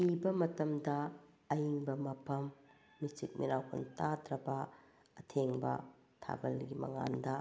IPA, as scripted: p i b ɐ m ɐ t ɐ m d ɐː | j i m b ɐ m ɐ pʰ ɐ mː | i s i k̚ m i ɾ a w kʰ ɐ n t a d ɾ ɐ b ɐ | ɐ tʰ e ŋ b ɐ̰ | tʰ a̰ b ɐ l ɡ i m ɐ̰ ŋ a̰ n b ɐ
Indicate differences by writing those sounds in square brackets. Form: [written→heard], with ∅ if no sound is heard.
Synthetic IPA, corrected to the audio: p i b ɐ m ɐ t ɐ m d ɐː | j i [m→ŋ] b ɐ m ɐ pʰ ɐ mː | i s i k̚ m i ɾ a w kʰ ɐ n t a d ɾ ɐ b ɐ | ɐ tʰ e ŋ b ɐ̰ | tʰ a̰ b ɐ l ɡ i m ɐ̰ ŋ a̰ n [b→d] ɐ